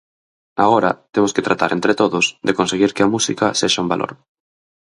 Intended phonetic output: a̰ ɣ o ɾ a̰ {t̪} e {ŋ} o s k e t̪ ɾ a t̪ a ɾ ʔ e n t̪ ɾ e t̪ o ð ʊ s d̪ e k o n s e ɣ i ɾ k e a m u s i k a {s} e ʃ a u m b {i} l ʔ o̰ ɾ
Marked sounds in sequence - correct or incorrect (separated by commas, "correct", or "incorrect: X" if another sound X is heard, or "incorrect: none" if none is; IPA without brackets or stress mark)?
correct, incorrect: m, correct, incorrect: a